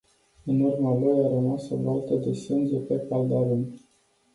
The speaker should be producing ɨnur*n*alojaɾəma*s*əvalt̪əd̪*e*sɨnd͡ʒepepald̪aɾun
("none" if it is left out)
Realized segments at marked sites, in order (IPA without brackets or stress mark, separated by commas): m, s, e